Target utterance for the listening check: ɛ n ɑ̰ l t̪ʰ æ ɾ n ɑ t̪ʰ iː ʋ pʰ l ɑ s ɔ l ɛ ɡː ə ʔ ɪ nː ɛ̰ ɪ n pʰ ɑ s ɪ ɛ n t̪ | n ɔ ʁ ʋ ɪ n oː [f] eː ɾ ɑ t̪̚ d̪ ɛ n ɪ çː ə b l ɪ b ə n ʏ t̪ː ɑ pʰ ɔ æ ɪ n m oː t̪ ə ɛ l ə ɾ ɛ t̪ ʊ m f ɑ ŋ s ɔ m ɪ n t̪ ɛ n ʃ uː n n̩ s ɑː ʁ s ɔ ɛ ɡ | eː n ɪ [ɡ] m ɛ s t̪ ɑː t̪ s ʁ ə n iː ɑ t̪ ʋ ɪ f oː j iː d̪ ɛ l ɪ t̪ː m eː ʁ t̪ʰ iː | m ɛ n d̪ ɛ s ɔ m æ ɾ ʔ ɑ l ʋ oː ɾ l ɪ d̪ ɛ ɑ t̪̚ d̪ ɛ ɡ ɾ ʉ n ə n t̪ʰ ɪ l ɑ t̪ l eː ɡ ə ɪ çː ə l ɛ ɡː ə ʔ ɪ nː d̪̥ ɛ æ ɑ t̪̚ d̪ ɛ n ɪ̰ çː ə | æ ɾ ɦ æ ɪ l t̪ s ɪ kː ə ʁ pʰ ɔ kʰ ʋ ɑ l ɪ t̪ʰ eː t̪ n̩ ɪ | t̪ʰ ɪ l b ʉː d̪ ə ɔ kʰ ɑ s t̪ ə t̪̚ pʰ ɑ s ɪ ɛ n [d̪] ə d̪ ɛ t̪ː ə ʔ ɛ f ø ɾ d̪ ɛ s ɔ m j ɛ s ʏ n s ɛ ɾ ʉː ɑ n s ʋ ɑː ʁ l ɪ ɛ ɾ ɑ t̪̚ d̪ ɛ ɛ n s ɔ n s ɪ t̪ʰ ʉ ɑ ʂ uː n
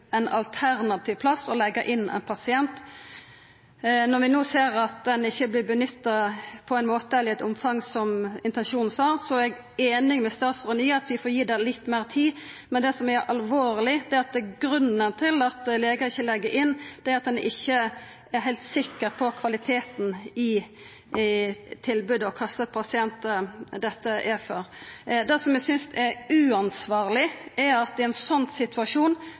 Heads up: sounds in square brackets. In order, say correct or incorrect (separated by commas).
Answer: incorrect, incorrect, incorrect